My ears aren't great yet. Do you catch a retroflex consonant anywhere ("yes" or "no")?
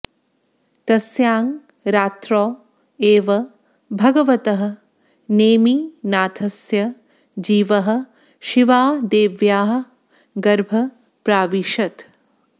no